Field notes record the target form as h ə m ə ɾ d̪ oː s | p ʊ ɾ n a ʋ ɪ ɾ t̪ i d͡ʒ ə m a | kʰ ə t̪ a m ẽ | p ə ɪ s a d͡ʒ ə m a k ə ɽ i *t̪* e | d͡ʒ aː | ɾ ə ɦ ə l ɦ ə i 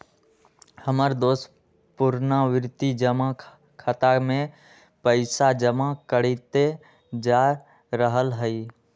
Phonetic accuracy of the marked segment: correct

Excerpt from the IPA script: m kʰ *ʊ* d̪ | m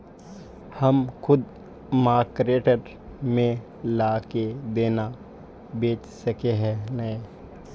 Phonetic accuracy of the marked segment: correct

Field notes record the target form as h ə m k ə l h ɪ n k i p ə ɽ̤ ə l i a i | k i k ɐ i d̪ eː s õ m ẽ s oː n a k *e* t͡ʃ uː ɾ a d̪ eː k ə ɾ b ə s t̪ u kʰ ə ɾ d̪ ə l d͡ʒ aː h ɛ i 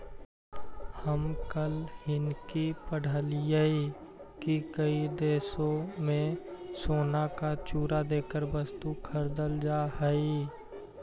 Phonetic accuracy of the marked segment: incorrect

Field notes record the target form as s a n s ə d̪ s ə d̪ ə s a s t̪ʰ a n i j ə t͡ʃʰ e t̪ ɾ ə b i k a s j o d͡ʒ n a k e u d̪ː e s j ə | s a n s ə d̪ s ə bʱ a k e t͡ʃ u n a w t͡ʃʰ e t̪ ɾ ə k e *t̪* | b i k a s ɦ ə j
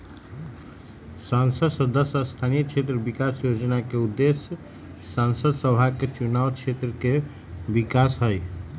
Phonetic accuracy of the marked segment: incorrect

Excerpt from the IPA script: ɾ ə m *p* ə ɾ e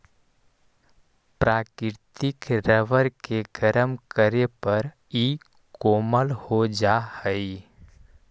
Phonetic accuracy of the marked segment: incorrect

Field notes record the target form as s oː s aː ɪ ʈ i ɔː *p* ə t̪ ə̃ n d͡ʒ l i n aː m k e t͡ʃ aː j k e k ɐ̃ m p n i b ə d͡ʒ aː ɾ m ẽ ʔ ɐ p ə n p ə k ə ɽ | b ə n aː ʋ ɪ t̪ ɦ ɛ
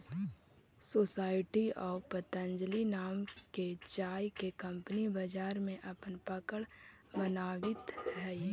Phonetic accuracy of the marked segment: correct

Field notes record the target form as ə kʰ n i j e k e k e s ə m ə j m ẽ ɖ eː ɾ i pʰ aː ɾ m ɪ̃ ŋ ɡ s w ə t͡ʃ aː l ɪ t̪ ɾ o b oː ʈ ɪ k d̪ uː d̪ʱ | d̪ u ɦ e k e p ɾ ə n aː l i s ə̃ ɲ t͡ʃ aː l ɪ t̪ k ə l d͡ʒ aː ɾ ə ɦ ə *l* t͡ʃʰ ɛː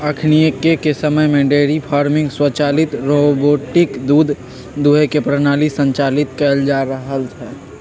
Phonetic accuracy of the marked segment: correct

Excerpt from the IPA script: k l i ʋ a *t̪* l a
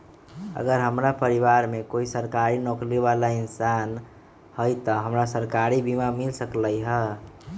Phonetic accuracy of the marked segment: incorrect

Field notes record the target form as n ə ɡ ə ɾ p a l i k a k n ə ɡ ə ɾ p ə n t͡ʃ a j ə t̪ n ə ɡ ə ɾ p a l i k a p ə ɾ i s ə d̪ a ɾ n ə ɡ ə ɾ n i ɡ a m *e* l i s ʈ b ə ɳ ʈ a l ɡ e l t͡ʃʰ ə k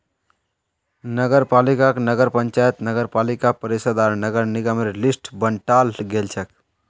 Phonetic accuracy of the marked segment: correct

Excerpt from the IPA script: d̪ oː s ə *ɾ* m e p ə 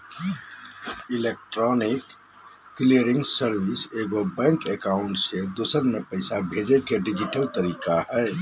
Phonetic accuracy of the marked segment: correct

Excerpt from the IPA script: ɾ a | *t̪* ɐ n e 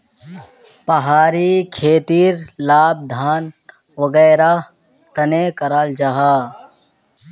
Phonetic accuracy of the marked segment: correct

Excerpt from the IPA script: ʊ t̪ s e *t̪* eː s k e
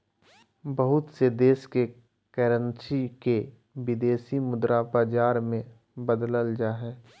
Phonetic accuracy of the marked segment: incorrect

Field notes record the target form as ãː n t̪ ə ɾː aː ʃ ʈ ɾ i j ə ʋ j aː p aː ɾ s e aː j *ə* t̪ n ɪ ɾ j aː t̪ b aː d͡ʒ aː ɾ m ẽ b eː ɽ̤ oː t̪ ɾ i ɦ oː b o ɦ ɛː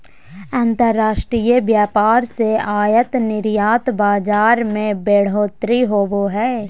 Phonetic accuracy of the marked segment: correct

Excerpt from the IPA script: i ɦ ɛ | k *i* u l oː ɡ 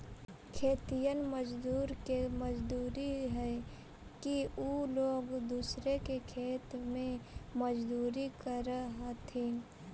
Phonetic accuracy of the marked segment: correct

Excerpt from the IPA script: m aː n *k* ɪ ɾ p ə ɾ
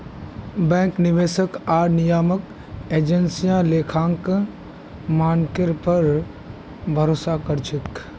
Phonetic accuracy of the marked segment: correct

